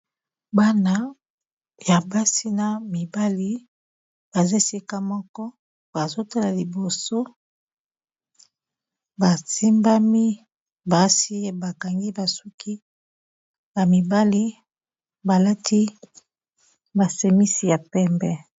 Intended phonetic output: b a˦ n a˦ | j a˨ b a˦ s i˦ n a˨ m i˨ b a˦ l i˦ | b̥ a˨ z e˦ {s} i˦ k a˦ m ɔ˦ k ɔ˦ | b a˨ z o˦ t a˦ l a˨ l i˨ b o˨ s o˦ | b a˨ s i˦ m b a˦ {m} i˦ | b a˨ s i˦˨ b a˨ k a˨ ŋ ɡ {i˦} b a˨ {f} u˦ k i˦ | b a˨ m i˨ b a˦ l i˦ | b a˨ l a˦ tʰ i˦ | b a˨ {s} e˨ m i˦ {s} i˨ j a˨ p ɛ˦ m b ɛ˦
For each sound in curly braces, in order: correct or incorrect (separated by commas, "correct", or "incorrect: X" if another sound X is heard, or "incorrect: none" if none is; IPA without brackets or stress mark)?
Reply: correct, correct, correct, incorrect: s, correct, correct